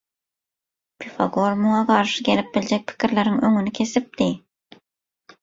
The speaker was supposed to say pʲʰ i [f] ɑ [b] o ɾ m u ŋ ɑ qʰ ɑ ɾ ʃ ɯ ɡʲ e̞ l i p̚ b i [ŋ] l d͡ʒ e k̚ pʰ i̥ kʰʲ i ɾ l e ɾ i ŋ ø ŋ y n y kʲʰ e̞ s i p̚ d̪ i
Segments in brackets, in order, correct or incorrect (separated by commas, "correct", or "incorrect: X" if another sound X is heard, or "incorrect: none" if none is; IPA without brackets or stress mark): correct, incorrect: ɡ, incorrect: none